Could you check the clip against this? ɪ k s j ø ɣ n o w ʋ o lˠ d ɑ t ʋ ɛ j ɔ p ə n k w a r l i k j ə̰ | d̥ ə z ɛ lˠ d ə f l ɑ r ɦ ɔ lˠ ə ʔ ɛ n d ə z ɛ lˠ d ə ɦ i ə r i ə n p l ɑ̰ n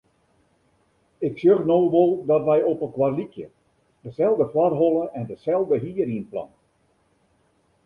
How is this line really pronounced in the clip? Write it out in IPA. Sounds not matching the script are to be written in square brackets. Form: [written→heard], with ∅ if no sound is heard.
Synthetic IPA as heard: ɪ k s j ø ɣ n o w ʋ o lˠ d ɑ t ʋ ɛ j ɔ p ə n k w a r l i k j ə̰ | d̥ ə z ɛ lˠ d ə f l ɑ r ɦ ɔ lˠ ə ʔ ɛ n d ə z ɛ lˠ d ə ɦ i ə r i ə n p l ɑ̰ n